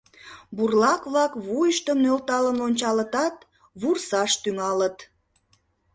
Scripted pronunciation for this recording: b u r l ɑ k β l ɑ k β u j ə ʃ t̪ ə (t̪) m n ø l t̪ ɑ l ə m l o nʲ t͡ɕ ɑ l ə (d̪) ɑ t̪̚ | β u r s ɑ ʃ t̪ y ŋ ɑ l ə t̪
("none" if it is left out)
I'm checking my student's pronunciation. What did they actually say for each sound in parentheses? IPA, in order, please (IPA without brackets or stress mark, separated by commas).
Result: none, t̪